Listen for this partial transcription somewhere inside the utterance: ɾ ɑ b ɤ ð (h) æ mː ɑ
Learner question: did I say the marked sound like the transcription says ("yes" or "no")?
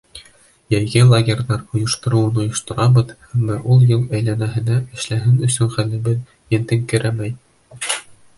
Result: yes